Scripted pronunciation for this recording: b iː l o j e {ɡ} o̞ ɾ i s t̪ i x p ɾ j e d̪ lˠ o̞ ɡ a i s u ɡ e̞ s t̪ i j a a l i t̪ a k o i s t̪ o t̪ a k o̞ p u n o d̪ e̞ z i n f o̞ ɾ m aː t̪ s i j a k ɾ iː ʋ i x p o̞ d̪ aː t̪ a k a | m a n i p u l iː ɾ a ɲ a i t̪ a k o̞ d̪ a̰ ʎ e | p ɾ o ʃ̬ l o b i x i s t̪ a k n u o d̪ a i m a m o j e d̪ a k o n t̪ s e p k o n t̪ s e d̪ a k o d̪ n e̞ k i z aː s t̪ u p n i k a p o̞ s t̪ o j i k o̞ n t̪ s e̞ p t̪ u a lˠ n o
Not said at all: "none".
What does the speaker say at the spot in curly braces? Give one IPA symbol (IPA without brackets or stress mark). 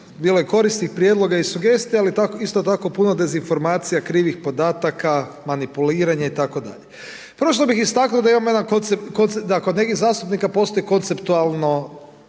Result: k